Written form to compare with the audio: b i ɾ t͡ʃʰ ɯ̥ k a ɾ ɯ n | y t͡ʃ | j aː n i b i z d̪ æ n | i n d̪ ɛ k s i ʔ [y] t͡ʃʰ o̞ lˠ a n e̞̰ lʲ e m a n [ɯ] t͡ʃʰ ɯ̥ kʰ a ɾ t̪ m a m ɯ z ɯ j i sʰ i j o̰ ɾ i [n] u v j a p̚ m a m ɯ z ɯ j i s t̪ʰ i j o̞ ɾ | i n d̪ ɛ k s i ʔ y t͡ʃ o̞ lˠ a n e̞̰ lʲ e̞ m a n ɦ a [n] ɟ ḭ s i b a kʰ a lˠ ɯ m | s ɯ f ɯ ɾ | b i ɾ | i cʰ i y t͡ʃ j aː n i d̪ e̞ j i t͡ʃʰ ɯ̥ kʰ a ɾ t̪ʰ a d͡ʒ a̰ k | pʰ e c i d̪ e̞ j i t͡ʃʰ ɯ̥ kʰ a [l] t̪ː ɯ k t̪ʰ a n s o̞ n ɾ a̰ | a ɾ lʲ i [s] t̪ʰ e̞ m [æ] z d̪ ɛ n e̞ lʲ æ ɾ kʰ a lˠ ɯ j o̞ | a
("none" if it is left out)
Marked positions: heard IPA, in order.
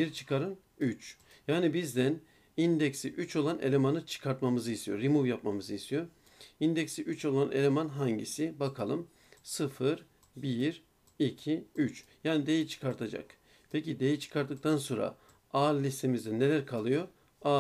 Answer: y, ɯ, m, ɲ, ɾ, s, i

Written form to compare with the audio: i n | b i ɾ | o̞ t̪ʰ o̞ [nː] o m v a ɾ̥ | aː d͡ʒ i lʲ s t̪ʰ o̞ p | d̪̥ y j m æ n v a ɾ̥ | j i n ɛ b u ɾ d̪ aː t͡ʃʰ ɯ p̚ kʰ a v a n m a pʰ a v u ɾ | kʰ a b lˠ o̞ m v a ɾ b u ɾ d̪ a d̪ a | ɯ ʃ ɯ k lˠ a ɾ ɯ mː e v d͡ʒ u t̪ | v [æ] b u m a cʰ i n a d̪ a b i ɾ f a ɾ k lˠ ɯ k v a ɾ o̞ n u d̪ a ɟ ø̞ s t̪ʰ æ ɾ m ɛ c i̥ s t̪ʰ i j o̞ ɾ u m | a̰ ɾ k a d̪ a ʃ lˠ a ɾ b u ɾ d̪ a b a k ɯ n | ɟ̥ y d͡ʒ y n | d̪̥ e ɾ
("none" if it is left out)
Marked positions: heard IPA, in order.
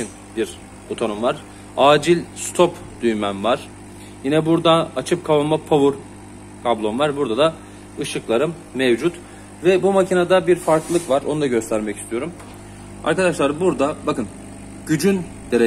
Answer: n, ɛ

